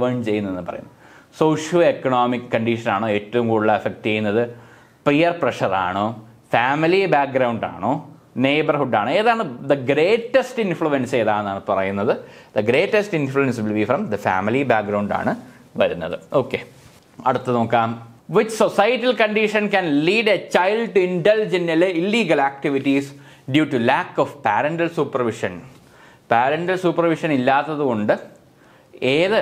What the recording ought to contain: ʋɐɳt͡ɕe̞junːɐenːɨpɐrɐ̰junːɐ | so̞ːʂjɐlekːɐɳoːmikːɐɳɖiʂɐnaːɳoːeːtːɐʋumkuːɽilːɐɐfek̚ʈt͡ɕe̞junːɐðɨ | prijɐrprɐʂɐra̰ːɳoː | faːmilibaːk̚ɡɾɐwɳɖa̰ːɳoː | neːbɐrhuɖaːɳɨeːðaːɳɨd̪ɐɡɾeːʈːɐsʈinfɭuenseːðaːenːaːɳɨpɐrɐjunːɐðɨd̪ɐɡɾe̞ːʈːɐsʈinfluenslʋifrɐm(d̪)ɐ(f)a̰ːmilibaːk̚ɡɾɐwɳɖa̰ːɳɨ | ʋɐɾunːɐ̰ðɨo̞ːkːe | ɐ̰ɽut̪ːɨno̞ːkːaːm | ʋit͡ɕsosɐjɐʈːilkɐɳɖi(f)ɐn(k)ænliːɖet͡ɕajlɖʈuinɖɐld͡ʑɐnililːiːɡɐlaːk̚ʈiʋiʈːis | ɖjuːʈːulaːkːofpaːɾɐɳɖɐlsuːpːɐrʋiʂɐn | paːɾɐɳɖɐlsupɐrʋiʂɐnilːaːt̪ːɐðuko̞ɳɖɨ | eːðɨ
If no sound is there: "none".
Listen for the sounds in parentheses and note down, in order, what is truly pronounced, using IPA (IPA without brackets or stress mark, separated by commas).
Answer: d̪, f, ʂ, k